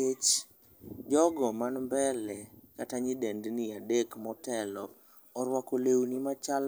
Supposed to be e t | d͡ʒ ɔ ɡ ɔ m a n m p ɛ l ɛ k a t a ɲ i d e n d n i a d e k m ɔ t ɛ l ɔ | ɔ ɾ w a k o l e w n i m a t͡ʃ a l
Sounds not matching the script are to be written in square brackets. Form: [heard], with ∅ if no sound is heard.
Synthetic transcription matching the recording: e [t͡ʃ] | d͡ʒ ɔ ɡ ɔ m a n m [b] ɛ l ɛ k a t a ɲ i d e n d n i a d e k m ɔ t ɛ l ɔ | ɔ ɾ w a k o l e w n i m a t͡ʃ a l